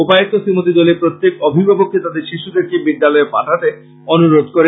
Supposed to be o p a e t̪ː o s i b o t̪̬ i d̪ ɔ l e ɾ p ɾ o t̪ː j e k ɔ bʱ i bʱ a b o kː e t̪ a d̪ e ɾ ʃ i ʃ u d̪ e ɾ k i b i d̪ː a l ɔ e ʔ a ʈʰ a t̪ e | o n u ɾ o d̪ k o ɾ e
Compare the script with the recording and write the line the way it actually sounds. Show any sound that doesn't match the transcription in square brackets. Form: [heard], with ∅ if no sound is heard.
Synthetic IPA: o p a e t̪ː o s i [m] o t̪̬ i d̪ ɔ l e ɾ p ɾ o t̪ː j e k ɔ bʱ i bʱ a b o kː e t̪ a d̪ e ɾ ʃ i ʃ u d̪ e ɾ k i b i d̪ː a l ɔ e [p] a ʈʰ a t̪ e | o n u ɾ o d̪ k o ɾ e